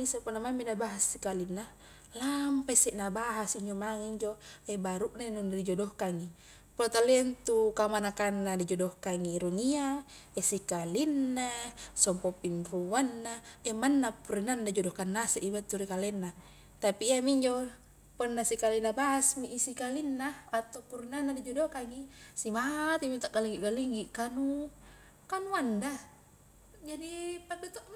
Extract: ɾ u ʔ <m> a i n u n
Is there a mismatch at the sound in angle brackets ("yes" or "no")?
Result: yes